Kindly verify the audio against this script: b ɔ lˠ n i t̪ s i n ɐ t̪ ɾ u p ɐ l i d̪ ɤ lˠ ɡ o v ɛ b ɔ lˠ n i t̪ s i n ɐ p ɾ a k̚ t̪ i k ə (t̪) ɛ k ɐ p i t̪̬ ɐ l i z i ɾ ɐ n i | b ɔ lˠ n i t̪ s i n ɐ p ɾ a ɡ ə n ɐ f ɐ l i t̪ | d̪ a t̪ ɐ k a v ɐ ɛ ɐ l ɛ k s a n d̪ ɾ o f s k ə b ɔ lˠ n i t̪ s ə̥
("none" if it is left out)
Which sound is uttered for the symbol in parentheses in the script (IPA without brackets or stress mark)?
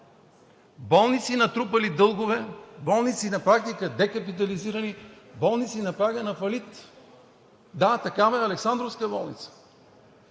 d̪